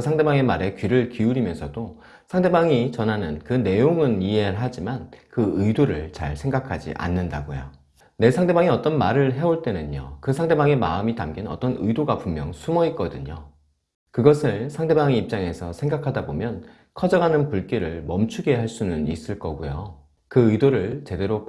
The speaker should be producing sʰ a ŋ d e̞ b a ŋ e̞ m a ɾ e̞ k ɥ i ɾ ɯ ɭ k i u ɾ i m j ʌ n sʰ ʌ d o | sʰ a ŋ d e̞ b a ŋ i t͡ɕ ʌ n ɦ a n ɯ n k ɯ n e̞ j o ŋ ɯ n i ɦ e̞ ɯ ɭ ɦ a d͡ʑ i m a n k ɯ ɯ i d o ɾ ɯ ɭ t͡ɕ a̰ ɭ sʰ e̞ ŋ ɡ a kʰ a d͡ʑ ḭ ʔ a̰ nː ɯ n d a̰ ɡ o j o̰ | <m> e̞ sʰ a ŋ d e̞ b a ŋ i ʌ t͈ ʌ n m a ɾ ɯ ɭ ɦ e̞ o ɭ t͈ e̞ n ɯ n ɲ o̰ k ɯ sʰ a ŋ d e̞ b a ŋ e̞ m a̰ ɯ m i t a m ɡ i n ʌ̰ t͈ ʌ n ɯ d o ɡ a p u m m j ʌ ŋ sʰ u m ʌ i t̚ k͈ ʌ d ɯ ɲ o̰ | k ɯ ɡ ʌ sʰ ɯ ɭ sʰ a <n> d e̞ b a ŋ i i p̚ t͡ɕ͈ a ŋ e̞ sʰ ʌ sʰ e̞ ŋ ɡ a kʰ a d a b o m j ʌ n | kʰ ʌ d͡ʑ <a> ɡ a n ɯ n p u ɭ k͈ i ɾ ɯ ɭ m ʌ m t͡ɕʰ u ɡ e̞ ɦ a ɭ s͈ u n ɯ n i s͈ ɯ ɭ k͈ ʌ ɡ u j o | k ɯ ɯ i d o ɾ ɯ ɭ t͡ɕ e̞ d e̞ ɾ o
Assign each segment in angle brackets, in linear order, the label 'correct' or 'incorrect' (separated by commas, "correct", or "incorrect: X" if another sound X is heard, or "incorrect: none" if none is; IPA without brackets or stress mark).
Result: incorrect: n, incorrect: ŋ, incorrect: ʌ